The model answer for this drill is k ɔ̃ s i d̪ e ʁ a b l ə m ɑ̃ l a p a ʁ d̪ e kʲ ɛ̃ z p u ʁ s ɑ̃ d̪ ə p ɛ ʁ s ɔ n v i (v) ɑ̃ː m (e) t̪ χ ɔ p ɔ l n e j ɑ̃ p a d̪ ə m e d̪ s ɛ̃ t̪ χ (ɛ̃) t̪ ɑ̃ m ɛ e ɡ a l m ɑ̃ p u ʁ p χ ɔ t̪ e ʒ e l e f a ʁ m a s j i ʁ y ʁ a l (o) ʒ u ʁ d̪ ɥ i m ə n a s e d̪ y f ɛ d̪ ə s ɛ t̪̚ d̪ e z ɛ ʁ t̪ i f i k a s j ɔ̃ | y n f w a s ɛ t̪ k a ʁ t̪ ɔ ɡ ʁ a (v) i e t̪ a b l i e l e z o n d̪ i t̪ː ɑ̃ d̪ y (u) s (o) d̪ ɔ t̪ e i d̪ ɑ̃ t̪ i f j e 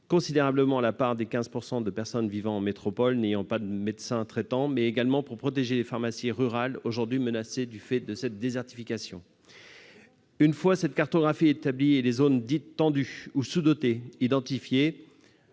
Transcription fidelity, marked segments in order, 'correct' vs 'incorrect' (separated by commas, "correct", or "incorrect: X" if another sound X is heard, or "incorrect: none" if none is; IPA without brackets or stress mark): correct, correct, incorrect: ɛ, correct, incorrect: f, correct, incorrect: u